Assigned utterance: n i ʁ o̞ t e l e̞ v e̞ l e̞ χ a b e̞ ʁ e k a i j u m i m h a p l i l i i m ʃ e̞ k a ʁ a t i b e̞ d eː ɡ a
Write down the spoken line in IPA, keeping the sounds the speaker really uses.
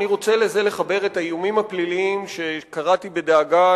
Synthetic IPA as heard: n i ʁ o̞ t͡s e l e̞ z e̞ l e̞ χ a b e̞ ʁ e t a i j u m i m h a p l i l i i m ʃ e̞ k a ʁ a t i b e̞ d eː ɡ a